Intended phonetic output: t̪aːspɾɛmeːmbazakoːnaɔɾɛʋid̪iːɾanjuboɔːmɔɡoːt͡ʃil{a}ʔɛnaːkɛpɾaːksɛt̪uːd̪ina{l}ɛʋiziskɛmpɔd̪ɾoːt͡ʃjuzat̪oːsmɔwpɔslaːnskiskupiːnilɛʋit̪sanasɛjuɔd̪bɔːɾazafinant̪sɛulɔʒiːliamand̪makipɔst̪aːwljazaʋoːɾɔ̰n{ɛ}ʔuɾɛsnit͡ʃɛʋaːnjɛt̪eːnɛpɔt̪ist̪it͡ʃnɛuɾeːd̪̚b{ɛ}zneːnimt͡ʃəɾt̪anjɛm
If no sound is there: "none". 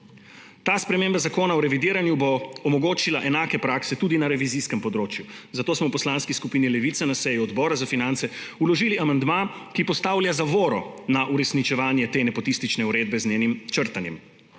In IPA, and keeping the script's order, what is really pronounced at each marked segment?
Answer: a, ɾ, a, ɛ

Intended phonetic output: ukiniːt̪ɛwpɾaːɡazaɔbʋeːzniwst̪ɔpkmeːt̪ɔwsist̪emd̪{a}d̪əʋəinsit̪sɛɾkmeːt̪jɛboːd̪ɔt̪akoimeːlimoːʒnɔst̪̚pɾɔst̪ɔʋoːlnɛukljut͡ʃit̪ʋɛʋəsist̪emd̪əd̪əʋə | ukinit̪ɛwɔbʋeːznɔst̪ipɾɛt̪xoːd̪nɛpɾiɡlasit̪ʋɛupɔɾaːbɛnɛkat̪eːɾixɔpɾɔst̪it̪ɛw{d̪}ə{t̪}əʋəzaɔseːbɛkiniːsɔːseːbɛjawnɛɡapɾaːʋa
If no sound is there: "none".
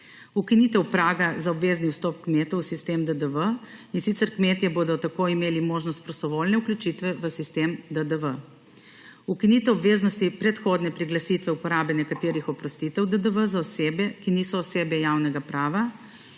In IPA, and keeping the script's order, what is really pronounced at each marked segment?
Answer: ə, d̪, d̪

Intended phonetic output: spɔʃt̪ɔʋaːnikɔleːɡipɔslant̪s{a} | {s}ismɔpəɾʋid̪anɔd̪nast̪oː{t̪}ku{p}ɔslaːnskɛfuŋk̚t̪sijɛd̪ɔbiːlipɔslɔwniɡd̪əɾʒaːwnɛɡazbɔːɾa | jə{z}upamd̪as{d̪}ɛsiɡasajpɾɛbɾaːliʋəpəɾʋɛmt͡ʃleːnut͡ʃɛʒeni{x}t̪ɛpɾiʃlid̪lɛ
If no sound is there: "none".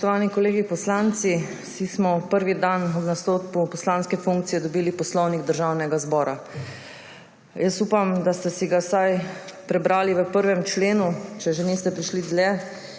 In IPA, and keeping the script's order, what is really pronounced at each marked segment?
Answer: i, s, t̪, p, s, t̪, s

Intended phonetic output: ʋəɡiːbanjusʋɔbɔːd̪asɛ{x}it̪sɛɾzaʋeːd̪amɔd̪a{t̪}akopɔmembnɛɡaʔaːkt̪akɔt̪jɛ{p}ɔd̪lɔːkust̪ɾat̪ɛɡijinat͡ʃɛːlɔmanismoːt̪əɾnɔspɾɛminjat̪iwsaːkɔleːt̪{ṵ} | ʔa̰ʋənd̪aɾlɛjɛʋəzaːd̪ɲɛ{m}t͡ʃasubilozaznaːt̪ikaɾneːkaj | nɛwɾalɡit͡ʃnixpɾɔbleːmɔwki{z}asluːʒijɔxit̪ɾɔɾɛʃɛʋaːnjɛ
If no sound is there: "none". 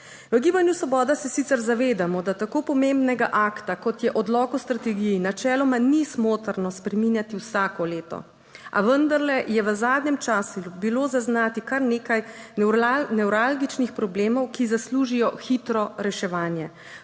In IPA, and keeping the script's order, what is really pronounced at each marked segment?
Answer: s, t̪, ʔ, ɔ̰, m, z

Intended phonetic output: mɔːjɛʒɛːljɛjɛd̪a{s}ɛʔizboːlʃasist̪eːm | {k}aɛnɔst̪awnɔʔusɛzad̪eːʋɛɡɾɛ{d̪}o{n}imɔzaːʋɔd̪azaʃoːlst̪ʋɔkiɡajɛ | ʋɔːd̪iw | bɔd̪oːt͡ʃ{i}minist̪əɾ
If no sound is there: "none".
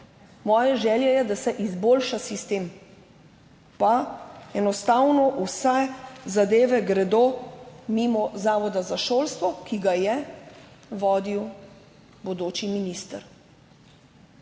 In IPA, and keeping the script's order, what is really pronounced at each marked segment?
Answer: s, p, d̪, m, i

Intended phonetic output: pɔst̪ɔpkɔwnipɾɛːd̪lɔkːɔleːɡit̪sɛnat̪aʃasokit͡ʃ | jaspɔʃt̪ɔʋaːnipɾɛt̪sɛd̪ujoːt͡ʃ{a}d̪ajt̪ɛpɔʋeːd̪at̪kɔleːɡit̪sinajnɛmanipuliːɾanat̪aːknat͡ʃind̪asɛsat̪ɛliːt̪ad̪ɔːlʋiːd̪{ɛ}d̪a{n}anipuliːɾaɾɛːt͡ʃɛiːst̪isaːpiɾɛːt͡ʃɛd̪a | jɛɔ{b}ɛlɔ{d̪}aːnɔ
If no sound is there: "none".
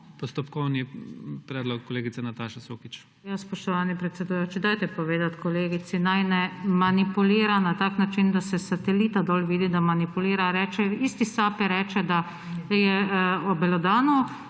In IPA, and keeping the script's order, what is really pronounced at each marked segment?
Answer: i, i, m, b, d̪

